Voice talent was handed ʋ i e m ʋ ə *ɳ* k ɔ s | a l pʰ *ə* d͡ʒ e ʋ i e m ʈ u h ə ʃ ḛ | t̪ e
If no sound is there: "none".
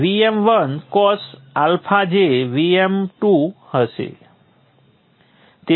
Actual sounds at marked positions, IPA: n, a

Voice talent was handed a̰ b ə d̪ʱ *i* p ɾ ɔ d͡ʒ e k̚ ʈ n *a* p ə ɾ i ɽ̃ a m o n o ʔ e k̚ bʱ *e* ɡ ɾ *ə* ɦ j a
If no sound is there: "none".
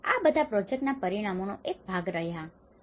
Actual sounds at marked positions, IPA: a, a, a, ə

